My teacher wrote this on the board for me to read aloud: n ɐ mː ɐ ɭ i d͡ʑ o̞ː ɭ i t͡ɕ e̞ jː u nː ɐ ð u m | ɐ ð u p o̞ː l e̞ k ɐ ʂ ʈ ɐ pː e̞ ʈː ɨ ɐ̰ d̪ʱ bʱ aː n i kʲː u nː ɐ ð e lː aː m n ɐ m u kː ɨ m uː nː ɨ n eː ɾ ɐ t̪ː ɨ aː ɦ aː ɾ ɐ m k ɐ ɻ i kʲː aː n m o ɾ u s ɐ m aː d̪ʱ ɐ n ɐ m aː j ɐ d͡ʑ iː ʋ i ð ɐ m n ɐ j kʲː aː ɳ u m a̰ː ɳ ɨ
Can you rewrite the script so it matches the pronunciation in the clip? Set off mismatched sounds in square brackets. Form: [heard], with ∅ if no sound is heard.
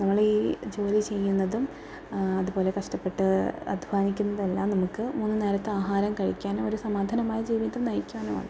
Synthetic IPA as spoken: n ɐ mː ɐ ɭ [iː] d͡ʑ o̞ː [l] i t͡ɕ e̞ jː u nː ɐ ð u m | ɐ ð u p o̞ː l e̞ k ɐ ʂ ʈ ɐ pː e̞ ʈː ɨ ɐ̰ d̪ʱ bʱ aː n i kʲː u nː ɐ ð e lː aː m n ɐ m u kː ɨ m uː nː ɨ n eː ɾ ɐ t̪ː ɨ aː ɦ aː ɾ ɐ m k ɐ ɻ i kʲː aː n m o ɾ u s ɐ m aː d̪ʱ ɐ n ɐ m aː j ɐ d͡ʑ iː ʋ i ð ɐ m n ɐ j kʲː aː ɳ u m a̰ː ɳ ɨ